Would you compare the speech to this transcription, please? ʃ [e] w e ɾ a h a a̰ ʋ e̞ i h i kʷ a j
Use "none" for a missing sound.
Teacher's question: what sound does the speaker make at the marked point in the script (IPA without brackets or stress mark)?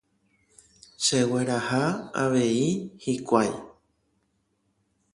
e